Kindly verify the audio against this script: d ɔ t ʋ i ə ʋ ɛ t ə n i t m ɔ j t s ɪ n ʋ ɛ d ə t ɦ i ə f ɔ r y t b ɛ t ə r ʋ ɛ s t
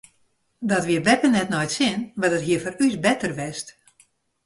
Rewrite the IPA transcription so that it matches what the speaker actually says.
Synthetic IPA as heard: d ɔ t ʋ i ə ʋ ɛ p ə n ɛ t n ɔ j t s ɪ n ʋ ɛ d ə t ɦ i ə f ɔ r y s b ɛ t ə r ʋ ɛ s t